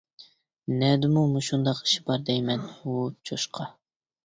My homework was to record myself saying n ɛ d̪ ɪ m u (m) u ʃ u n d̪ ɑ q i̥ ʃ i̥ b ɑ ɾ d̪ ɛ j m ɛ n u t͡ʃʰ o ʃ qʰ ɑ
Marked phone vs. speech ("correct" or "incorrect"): correct